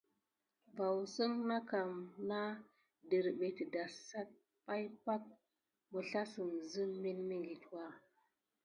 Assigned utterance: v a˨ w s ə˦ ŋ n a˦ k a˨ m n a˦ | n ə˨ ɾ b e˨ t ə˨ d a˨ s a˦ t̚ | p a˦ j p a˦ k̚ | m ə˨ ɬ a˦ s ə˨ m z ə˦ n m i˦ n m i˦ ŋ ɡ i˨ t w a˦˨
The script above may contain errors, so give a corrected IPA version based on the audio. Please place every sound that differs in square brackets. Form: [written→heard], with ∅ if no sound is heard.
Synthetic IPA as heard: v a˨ w s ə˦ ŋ n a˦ k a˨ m n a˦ | [n→d] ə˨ ɾ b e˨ t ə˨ d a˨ s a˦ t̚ | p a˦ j p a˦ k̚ | m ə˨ ɬ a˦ s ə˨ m z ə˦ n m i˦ n m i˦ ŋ ɡ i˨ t w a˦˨